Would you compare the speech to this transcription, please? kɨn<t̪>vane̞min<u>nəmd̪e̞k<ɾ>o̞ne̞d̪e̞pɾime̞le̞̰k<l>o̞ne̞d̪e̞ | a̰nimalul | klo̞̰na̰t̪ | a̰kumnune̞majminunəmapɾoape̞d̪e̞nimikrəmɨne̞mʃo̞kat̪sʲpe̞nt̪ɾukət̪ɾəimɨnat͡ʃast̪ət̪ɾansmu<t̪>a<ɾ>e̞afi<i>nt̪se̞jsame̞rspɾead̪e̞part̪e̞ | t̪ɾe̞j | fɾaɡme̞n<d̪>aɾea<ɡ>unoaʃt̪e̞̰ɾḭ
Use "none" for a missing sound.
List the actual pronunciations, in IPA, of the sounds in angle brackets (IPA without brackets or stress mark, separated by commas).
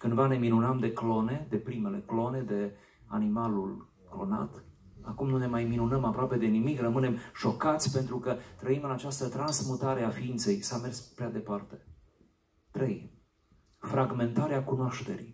d̪, u, l, l, t̪, ɾ, i, t̪, k